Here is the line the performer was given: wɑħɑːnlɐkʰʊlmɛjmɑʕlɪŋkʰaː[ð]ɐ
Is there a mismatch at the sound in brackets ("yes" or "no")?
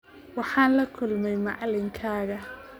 yes